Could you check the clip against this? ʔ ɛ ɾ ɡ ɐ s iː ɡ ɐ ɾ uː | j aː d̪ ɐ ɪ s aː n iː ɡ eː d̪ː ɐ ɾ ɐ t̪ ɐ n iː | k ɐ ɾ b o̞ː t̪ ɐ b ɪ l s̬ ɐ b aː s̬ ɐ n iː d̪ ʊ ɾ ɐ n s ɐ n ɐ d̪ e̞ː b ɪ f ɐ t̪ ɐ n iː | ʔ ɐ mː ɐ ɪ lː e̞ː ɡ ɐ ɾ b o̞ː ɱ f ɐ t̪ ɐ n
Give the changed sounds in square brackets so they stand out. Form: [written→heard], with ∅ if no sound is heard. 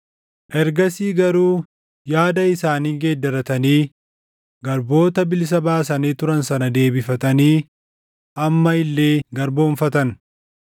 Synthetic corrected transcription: ʔ ɛ ɾ ɡ ɐ s iː ɡ ɐ ɾ uː | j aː d̪ ɐ ɪ s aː n iː ɡ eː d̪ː ɐ ɾ ɐ t̪ ɐ n iː | [k→ɡ] ɐ ɾ b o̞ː t̪ ɐ b ɪ l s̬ ɐ b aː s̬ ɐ n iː [d̪→t̪] ʊ ɾ ɐ n s ɐ n ɐ d̪ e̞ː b ɪ f ɐ t̪ ɐ n iː | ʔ ɐ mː ɐ ɪ lː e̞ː ɡ ɐ ɾ b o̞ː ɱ f ɐ t̪ ɐ n